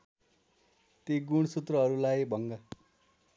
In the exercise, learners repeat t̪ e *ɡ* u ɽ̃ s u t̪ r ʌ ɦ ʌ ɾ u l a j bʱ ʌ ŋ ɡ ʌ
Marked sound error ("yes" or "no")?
no